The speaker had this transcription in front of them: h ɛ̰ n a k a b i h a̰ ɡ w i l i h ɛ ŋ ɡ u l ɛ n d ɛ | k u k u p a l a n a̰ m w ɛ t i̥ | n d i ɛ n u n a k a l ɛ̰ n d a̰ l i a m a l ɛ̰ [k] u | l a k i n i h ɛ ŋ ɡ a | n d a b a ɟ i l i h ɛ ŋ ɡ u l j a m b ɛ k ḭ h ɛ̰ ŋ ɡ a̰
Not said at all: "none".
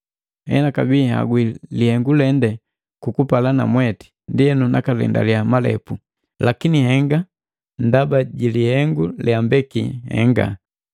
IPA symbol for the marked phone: p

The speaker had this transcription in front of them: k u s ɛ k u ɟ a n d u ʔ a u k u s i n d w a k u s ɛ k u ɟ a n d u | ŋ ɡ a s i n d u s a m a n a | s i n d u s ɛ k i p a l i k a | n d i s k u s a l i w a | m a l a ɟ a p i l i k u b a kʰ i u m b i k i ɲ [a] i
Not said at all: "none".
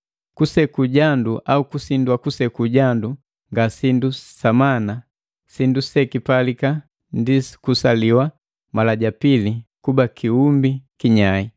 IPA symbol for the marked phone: a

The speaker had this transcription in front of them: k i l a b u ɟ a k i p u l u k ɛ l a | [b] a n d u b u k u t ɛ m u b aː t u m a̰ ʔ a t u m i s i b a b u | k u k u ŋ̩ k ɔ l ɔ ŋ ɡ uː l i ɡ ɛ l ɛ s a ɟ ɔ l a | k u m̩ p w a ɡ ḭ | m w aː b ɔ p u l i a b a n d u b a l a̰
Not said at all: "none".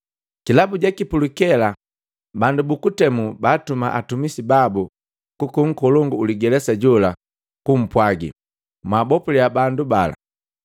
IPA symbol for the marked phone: b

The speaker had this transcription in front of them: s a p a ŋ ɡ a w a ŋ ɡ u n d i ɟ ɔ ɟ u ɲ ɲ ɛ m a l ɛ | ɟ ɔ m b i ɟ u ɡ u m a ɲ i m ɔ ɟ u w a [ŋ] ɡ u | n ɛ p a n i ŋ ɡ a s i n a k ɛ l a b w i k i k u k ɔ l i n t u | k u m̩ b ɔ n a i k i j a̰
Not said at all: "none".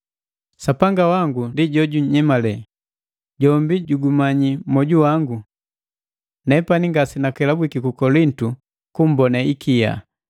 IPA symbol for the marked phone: ŋ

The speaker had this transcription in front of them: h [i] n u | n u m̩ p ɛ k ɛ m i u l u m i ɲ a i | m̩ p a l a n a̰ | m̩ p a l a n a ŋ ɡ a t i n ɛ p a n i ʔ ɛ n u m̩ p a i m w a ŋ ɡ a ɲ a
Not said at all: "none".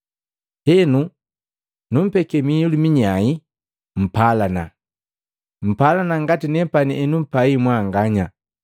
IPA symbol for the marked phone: ɛ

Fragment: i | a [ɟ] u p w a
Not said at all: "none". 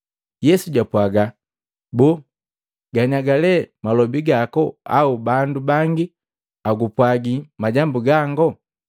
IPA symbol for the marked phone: ɡ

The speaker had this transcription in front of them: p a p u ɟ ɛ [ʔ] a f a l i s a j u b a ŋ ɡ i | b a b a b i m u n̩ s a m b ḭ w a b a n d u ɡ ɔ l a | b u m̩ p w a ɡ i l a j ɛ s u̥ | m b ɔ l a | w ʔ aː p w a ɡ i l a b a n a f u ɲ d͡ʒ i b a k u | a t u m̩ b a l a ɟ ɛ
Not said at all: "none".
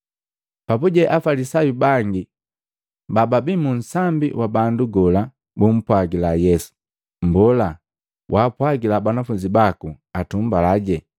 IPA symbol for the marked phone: ʔ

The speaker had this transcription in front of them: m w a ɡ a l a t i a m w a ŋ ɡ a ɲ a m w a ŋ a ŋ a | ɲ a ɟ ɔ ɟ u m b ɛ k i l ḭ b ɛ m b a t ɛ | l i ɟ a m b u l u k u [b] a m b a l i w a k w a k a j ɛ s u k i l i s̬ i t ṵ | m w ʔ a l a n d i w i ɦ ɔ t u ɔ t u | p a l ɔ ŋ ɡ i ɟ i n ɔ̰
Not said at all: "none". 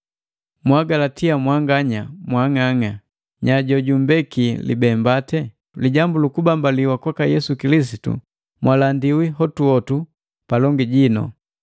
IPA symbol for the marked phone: b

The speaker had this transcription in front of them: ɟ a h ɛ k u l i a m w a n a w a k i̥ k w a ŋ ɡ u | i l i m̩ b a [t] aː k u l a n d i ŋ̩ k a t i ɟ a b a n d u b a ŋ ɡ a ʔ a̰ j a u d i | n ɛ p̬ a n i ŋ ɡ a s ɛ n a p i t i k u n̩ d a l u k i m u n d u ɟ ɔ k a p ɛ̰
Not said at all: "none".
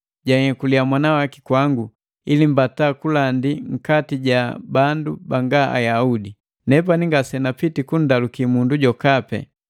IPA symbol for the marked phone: t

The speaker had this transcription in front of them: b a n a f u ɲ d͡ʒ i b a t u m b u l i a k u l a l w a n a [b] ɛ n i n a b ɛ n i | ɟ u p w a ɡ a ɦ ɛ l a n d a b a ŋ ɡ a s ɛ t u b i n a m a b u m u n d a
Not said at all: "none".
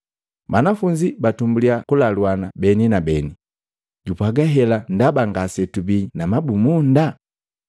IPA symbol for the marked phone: b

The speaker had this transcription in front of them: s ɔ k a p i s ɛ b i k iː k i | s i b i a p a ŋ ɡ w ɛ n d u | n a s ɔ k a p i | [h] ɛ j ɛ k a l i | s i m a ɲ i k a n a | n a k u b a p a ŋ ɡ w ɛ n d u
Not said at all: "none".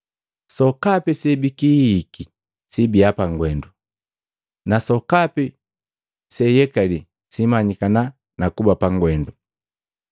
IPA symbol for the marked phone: s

